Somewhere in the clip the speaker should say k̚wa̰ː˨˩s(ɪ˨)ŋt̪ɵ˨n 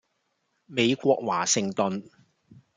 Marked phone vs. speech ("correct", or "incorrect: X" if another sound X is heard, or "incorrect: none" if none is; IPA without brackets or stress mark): correct